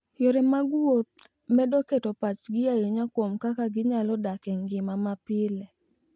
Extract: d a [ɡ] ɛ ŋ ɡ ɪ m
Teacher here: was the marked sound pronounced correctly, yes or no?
no